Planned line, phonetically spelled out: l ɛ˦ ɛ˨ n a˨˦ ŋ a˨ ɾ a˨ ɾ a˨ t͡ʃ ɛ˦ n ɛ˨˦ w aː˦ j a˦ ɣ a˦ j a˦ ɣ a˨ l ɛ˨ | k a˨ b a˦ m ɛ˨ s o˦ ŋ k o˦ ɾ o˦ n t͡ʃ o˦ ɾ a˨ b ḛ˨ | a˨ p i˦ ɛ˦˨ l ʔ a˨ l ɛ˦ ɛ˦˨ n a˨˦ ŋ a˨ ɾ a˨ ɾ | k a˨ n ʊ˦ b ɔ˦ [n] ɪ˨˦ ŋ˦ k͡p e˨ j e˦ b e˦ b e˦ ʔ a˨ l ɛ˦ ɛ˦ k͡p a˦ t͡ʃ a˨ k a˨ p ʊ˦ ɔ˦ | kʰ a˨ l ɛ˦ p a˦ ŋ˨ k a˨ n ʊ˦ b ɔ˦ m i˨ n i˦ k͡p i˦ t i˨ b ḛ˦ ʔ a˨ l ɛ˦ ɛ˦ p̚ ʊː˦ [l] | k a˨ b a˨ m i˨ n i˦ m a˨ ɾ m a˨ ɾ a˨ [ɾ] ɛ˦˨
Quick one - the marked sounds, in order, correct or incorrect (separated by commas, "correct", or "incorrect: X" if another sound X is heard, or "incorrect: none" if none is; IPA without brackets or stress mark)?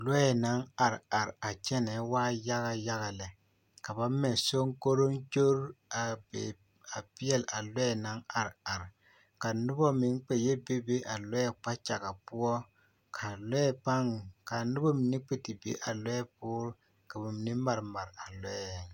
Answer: incorrect: m, incorrect: ɾ, incorrect: l